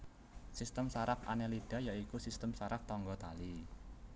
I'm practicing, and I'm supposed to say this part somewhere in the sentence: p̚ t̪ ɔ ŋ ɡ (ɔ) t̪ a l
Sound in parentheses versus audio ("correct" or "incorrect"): correct